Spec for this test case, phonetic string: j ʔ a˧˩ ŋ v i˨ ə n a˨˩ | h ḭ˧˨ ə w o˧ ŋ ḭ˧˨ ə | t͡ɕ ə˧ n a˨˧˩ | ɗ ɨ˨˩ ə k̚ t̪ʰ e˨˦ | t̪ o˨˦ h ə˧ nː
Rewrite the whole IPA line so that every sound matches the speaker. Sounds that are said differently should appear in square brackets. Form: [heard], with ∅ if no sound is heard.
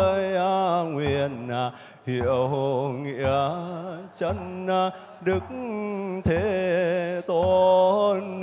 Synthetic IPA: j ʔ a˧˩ ŋ [w] i˨ ə n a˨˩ | h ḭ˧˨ ə w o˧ ŋ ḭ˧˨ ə | t͡ɕ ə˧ n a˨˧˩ | ɗ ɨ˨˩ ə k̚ t̪ʰ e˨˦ | t̪ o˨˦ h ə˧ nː